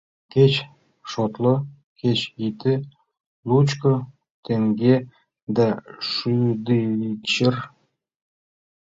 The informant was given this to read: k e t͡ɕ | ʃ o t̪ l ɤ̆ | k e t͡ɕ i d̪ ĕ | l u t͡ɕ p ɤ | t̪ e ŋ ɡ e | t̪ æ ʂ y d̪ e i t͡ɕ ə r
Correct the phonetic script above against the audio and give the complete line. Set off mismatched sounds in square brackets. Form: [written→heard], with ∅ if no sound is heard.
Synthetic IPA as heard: k e t͡ɕ | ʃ o t̪ l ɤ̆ | k e t͡ɕ i [d̪→t̪] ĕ | l u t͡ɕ [p→k] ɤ | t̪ e ŋ ɡ e | [t̪→d̪] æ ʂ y d̪ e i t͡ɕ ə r

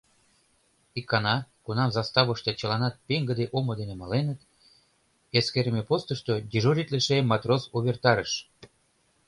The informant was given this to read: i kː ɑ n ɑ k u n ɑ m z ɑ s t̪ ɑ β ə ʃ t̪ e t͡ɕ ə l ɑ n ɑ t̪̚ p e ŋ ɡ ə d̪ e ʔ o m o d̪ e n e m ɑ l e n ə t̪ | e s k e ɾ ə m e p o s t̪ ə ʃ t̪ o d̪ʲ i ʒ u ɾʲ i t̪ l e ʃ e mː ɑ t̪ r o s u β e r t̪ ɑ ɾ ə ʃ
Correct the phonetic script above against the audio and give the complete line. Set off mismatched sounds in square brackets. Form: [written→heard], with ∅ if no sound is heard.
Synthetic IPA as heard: i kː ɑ n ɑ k u n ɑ m z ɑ s t̪ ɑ β ə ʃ t̪ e t͡ɕ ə l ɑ n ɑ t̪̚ p e ŋ ɡ ə d̪ e ʔ o m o d̪ e n e m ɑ l e n ə t̪ | e s k e ɾ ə m e p o s t̪ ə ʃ t̪ o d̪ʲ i ʒ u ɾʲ i t̪ l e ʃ e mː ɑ t̪ r o s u β e r t̪ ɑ ɾ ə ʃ

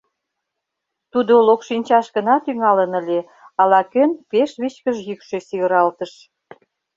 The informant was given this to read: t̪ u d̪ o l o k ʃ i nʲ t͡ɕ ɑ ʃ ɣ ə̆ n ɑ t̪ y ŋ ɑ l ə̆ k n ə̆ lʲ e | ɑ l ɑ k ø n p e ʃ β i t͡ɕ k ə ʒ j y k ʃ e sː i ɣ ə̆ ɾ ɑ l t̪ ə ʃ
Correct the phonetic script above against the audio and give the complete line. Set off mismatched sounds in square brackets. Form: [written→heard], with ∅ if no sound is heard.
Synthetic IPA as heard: t̪ u d̪ o l o k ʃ i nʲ t͡ɕ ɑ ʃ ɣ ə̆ n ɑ t̪ y ŋ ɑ l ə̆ [k→∅] n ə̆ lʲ e | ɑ l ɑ k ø n p e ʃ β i t͡ɕ k ə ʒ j y k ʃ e [sː→s] i ɣ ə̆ ɾ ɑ l t̪ ə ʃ

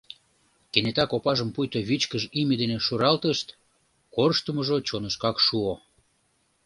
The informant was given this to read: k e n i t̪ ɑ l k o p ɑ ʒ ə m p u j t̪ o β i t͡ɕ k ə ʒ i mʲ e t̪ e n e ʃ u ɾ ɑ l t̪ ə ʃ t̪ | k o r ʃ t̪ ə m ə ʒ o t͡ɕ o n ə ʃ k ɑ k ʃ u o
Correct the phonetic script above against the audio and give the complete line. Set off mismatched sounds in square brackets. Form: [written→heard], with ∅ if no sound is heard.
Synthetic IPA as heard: k e n [i→e] t̪ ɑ [l→∅] k o p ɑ ʒ ə m p u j t̪ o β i t͡ɕ k ə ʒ i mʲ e [t̪→d̪] e n e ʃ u ɾ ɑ l t̪ ə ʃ t̪ | k o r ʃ t̪ ə m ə ʒ o t͡ɕ o n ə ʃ k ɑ k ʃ u o

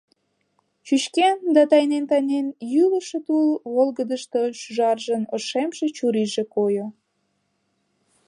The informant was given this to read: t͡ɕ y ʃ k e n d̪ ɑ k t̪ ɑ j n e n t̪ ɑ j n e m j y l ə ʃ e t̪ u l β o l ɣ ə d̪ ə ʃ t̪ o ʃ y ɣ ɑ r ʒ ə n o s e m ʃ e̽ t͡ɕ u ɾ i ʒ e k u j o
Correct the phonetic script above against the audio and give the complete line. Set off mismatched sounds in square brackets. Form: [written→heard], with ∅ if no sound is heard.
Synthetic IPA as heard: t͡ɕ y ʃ k e n d̪ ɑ [k→∅] t̪ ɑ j n e n t̪ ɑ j n e [m→n] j y l ə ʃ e t̪ u l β o l ɣ ə d̪ ə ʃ t̪ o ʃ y [ɣ→ʒ] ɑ r ʒ ə n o [s→ʃ] e m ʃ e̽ t͡ɕ u ɾ i ʒ e k [u→o] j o

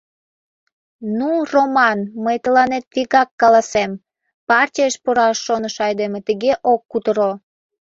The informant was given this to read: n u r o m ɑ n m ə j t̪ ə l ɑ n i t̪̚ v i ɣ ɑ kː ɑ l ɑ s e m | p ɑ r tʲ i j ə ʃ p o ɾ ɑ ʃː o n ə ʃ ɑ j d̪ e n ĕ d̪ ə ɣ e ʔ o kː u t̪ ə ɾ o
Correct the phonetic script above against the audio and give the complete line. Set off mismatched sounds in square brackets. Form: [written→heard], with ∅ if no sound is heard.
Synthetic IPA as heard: n u r o m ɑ n m ə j t̪ ə l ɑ n [i→e] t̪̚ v i ɣ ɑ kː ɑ l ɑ s e m | p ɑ r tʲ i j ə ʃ p o ɾ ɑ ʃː o n ə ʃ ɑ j d̪ e [n→m] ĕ [d̪→t̪] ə ɣ e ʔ o kː u t̪ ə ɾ o

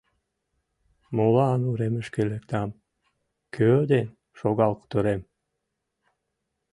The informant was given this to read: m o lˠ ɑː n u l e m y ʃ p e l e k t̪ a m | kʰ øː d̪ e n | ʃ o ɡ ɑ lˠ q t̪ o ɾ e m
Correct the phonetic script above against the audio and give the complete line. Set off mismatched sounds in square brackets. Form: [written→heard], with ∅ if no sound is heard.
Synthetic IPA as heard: m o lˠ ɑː n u [l→ɾ] e m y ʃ [p→k] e l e k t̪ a m | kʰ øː d̪ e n | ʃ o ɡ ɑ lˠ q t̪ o ɾ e m

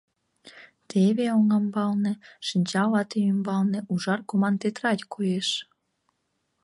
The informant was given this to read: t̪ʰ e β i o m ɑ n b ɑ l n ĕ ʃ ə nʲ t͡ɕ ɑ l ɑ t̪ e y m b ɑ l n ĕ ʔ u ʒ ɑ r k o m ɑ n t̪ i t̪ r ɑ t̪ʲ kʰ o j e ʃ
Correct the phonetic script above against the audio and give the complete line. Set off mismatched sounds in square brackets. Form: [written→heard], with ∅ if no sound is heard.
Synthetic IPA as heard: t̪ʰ e β [i→e] o [m→ŋ] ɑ [n→m] b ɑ l n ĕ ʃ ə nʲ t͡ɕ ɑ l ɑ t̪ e y m b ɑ l n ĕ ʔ u ʒ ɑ r k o m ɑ n t̪ [i→e] t̪ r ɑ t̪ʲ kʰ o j e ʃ

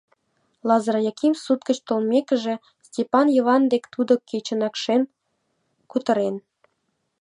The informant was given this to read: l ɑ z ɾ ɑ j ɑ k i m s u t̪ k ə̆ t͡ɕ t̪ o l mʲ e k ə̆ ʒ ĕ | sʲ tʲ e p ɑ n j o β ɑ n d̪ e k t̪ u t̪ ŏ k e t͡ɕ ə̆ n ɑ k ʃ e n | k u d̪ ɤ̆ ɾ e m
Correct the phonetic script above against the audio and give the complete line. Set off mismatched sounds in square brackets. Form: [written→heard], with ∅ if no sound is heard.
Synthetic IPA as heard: l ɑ z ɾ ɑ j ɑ k i m s u t̪ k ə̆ t͡ɕ t̪ o l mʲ e k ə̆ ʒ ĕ | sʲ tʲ e p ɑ n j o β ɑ n d̪ e k t̪ u [t̪→d̪] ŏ k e t͡ɕ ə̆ n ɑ k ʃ e n | k u [d̪→t̪] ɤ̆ ɾ e [m→n]

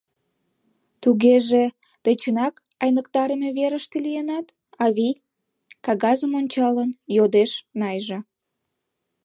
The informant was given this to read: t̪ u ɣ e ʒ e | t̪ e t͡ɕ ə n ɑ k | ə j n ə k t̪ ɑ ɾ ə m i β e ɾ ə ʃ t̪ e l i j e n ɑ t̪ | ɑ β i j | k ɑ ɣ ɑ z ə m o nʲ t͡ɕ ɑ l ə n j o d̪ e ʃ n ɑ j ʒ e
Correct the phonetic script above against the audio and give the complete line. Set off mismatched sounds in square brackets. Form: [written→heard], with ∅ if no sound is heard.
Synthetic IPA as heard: t̪ u ɣ e ʒ e | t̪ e t͡ɕ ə n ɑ k | [ə→ɑ] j n ə k t̪ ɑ ɾ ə m [i→e] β e ɾ ə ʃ t̪ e l i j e n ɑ t̪ | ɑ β i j | k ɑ ɣ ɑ z ə m o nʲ t͡ɕ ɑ l ə n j o d̪ e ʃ n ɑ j ʒ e

